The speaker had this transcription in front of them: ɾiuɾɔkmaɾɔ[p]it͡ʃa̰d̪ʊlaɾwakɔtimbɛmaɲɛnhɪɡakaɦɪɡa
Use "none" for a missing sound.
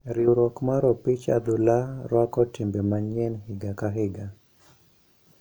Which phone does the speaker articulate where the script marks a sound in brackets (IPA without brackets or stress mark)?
p